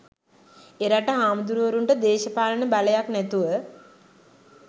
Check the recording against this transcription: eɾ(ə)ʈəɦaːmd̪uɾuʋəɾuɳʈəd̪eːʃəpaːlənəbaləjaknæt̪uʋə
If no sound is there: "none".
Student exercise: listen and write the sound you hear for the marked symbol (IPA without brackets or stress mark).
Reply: a